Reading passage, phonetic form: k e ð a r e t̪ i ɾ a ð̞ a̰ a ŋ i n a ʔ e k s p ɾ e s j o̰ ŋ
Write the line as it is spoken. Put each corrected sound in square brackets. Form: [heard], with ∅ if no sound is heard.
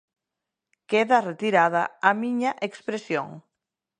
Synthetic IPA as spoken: k e ð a r e t̪ i ɾ a ð̞ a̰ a [m] i [ɲ] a ʔ e k s p ɾ e s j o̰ ŋ